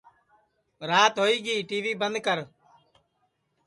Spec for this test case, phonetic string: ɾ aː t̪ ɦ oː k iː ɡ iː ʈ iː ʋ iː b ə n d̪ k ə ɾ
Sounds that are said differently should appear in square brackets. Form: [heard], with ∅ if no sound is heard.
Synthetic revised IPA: ɾ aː t̪ ɦ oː [∅] iː ɡ iː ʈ iː ʋ iː b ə n d̪ k ə ɾ